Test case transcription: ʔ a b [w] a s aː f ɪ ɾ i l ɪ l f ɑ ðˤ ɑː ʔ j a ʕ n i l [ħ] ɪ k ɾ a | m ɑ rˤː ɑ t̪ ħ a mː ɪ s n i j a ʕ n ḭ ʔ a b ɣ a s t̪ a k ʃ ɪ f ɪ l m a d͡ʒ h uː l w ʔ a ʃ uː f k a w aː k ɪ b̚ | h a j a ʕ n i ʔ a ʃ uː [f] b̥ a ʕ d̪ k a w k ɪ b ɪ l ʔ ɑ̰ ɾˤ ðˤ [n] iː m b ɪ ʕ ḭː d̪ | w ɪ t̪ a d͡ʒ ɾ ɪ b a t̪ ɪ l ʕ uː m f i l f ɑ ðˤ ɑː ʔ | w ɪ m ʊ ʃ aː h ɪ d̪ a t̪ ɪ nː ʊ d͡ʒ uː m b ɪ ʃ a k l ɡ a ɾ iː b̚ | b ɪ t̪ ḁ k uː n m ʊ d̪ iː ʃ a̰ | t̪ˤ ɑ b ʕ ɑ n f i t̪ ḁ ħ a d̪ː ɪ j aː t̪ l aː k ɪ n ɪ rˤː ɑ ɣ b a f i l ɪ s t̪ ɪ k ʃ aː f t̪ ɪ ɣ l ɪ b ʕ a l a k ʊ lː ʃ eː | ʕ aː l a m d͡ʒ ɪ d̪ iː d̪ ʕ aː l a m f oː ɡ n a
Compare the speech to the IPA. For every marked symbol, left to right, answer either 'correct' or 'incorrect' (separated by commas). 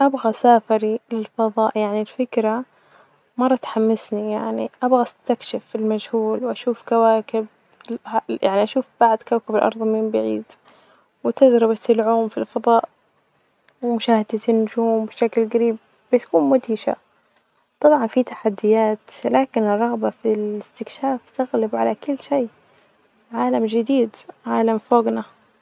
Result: incorrect, incorrect, correct, incorrect